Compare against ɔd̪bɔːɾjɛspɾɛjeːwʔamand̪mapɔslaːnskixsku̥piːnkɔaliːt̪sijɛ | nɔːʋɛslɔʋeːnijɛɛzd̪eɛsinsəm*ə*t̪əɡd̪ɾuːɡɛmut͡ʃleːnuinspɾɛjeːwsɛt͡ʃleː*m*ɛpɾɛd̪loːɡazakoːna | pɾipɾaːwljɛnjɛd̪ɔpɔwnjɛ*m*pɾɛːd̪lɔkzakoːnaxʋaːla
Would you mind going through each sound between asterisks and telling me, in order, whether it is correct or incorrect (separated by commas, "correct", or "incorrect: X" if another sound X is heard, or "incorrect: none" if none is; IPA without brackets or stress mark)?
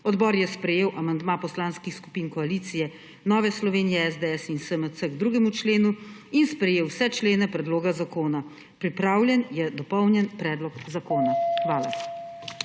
correct, incorrect: n, incorrect: n